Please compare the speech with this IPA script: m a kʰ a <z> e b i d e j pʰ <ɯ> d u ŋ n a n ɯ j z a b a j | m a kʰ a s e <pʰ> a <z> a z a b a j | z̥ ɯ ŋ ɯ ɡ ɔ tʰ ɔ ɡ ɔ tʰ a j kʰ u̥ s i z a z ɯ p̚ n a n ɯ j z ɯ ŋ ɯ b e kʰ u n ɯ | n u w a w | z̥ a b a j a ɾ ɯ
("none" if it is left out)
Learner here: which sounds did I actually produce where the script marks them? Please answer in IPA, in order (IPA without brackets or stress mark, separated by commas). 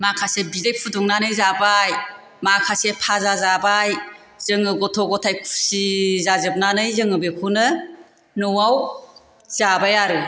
s, u, pʰ, z